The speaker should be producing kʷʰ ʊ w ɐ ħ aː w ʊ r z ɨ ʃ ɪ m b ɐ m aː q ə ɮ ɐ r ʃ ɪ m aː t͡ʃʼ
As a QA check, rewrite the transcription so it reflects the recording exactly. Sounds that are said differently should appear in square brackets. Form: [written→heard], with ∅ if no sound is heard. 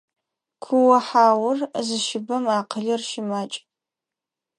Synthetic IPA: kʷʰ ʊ w ɐ ħ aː w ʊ r z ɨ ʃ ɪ [m→∅] b ɐ m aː q ə ɮ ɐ r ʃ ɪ m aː t͡ʃʼ